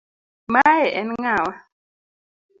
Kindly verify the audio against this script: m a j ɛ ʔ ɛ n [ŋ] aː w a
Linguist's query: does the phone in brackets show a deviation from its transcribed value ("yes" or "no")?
no